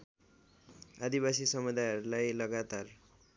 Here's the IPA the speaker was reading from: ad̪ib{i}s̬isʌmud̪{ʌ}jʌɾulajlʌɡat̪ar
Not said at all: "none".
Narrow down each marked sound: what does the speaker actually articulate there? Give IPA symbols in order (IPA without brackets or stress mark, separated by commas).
a, a